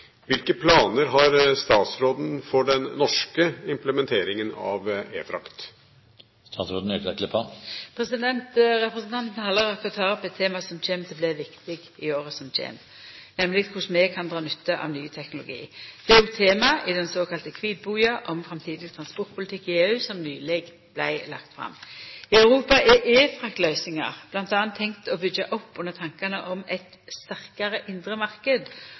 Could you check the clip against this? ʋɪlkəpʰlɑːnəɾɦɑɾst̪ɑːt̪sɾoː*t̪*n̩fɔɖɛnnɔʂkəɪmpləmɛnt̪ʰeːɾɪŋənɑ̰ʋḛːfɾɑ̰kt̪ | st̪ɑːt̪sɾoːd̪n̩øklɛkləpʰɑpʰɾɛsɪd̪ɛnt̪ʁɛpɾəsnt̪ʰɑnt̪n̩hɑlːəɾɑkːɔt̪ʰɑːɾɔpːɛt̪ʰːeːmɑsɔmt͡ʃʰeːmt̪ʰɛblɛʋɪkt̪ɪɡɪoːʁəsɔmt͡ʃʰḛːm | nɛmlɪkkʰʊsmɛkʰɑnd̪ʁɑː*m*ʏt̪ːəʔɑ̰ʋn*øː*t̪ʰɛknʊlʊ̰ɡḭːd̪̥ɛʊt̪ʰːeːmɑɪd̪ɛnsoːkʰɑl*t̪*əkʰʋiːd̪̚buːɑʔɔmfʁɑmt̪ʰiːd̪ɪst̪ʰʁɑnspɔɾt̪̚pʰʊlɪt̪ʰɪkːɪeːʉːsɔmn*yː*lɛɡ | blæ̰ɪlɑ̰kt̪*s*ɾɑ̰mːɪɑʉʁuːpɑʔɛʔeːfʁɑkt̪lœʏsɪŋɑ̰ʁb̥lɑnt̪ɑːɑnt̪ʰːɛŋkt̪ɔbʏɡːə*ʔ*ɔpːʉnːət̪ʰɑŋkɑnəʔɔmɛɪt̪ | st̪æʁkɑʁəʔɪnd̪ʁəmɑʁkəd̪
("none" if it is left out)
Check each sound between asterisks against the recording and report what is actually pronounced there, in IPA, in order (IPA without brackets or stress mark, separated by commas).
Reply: d̪, n, yː, t̪, yː, f, ʔ